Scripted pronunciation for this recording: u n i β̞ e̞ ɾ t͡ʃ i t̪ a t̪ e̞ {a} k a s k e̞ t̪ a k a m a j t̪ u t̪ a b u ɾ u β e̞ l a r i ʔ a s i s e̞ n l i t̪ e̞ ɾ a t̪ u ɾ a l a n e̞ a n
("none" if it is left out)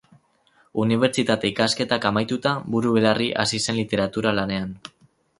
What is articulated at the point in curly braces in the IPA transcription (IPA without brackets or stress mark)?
i